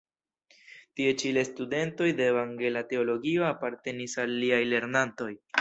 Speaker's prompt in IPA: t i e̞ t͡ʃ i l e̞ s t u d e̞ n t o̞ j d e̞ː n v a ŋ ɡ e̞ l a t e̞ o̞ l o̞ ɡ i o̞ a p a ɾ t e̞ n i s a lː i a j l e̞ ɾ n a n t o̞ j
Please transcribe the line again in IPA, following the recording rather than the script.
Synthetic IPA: t i e̞ t͡ʃ i l e̞ s t u d e̞ n t o̞ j d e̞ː v a ŋ ɡ e̞ l a t e̞ o̞ l o̞ ɡ i o̞ a p a ɾ t e̞ n i s a lː i a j l e̞ ɾ n a n t o̞ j